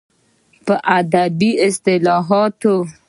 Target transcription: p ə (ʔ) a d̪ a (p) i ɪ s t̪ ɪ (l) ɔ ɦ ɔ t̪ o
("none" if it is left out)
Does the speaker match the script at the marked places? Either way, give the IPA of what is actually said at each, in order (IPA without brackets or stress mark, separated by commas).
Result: ʔ, b, l